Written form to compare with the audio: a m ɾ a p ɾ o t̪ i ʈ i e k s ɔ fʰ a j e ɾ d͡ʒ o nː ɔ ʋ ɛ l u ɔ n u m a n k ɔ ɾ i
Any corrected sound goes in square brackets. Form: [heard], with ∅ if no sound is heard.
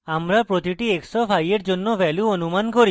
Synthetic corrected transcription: a m ɾ a p ɾ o t̪ i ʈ i e k s ɔ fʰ a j e ɾ d͡ʒ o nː ɔ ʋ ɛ l u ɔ n u m a n k ɔ ɾ i